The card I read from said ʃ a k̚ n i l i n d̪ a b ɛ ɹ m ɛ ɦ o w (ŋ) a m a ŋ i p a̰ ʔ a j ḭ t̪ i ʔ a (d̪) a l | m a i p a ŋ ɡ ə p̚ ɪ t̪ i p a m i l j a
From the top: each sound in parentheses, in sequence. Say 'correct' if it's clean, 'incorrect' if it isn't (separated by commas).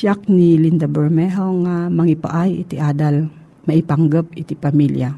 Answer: correct, correct